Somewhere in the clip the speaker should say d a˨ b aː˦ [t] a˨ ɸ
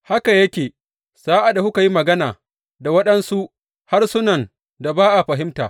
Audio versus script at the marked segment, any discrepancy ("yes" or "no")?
yes